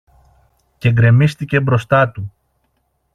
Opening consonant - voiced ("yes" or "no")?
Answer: no